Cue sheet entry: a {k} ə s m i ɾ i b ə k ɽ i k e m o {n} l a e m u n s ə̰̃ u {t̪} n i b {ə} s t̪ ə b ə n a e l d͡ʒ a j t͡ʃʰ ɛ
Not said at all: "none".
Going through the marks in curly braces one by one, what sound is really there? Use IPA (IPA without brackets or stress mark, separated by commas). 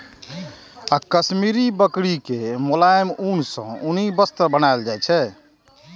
k, none, none, ə